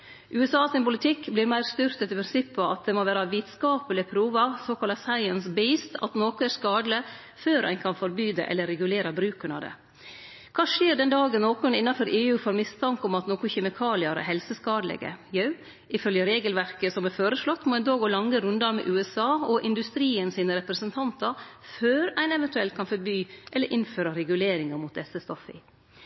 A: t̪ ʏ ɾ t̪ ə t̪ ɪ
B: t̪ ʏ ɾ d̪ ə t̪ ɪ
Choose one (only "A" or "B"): A